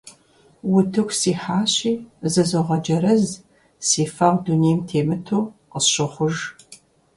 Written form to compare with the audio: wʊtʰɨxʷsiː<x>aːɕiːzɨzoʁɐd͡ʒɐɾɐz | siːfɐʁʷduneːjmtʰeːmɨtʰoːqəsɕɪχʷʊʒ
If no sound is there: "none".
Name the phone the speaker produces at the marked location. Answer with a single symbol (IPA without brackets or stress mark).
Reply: ħ